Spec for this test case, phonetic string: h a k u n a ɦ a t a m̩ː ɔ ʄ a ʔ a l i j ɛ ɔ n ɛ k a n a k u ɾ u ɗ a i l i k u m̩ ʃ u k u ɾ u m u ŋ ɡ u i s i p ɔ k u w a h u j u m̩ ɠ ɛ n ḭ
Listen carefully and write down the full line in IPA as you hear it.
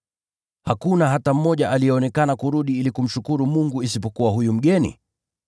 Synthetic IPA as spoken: h a k u n a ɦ a t a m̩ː ɔ ʄ a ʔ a l i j ɛ ɔ n ɛ k a n a k u ɾ u ɗ i i l i k u m̩ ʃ u k u ɾ u m u ŋ ɡ u i s i p ɔ k u w a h u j u m̩ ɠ ɛ n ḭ

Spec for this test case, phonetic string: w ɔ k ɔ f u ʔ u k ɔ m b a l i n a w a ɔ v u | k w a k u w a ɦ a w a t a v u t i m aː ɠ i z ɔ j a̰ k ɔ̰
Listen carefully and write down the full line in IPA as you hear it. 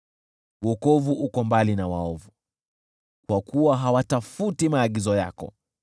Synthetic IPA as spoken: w ɔ k ɔ v u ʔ u k ɔ m b a l i n a w a ɔ v u | k w a k u w a ɦ a w a t a f u t i m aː ɠ i z ɔ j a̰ k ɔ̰

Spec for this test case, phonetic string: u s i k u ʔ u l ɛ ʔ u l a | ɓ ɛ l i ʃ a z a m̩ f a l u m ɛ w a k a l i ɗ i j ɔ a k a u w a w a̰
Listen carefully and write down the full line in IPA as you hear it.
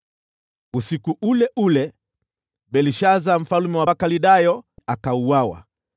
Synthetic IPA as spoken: u s i k u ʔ u l ɛ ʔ u l ɛ | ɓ ɛ l i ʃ a z a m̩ f a l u m ɛ w a k a l i ɗ a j ɔ a k a u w a w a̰

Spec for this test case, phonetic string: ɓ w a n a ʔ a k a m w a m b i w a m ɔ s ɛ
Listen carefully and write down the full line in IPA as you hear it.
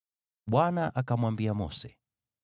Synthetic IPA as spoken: ɓ w a n a ʔ a k a m w a m b i a m ɔ s ɛ

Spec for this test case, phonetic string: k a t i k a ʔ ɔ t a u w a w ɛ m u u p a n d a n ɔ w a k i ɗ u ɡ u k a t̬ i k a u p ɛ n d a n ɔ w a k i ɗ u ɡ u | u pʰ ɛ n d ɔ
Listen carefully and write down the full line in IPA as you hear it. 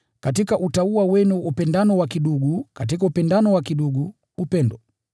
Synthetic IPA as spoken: k a t i k a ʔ u t a u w a w ɛ n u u p ɛ n d a n ɔ w a k i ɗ u ɡ u k a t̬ i k a u p ɛ n d a n ɔ w a k i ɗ u ɡ u | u p ɛ n d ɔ

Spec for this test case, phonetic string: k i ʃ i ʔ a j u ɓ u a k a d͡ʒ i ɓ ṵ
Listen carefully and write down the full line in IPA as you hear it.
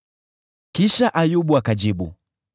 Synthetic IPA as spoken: k i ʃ a ʔ a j u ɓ u a k a d͡ʒ i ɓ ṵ

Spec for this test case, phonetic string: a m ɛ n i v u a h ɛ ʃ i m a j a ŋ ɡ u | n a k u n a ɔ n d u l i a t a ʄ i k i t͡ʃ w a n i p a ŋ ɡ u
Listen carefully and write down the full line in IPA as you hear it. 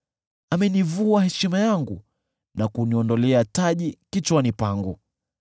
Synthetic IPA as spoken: a m ɛ n i v u a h ɛ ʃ i m a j a ŋ ɡ u | n a k u n i ɔ n d ɔ l ɛ a t a ʄ i k i t͡ʃ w a n i p a ŋ ɡ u

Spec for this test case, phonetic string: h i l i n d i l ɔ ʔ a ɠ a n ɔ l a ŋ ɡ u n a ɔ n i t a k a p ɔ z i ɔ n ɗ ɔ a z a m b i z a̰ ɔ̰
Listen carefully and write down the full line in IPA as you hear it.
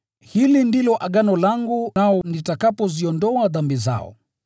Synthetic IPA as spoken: h i l i n d i l ɔ ʔ a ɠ a n ɔ l a ŋ ɡ u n a ɔ n i t a k a p ɔ z i ɔ n d ɔ a ð a m b i z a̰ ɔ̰

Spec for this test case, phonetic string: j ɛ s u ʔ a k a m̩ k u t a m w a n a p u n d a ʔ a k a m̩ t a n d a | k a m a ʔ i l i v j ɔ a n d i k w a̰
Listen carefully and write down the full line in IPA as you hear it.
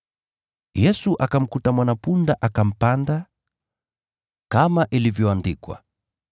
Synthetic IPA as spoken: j ɛ s u ʔ a k a m̩ k u t a m w a n a p u n d a ʔ a k a m̩ p a n d a | k a m a ʔ i l i v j ɔ a n d i k w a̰

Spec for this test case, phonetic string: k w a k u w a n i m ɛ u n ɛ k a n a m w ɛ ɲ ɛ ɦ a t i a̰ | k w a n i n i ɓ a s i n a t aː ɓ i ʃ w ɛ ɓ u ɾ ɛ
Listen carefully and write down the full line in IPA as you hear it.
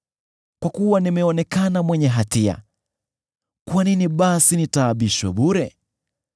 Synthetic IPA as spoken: k w a k u w a n i m ɛ ɔ n ɛ k a n a m w ɛ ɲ ɛ ɦ a t i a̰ | k w a n i n i ɓ a s i n i t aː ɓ i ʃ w ɛ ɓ u ɾ ɛ

